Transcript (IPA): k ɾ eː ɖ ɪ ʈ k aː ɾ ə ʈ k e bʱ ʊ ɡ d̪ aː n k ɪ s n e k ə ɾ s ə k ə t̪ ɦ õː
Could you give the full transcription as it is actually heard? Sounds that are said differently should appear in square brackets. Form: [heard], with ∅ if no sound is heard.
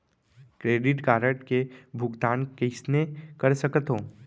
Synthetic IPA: k ɾ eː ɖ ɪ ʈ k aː ɾ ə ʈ k e bʱ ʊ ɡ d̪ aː n k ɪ s n e k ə ɾ s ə k ə t̪ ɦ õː